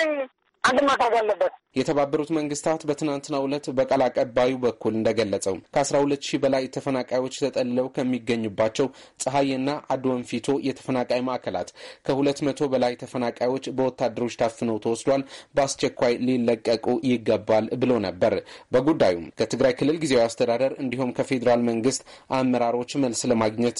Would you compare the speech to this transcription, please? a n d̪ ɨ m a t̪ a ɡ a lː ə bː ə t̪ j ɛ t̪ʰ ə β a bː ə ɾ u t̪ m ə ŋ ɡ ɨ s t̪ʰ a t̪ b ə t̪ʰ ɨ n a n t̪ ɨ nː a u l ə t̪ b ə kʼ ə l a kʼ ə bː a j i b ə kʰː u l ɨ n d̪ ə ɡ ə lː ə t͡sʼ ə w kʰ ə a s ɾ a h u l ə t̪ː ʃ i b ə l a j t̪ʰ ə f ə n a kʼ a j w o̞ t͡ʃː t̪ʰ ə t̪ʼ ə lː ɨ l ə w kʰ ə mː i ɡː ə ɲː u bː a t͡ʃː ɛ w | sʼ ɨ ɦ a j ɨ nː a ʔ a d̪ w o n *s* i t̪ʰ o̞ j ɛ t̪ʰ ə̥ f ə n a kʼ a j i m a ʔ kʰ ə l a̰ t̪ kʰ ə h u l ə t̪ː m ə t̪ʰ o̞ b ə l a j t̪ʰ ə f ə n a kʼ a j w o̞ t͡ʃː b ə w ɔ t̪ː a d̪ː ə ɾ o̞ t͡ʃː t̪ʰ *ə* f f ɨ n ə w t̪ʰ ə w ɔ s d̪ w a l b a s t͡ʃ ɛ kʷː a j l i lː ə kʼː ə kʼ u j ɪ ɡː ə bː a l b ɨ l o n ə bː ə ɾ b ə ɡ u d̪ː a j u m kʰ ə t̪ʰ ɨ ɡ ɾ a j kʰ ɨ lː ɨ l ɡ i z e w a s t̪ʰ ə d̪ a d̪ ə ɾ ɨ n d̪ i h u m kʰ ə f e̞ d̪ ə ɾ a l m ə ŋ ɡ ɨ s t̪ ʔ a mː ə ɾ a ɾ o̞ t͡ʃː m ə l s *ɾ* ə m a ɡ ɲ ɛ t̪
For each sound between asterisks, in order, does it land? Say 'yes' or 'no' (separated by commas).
no, no, no